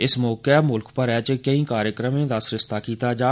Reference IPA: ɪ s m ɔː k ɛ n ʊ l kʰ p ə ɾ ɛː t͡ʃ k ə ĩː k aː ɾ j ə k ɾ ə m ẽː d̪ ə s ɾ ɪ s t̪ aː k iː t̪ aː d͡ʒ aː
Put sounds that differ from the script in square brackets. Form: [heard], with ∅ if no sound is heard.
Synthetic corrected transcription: ɪ s m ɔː k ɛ [m] ʊ l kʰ p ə ɾ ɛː t͡ʃ k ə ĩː k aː ɾ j ə k ɾ ə m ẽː d̪ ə s ɾ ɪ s t̪ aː k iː t̪ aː d͡ʒ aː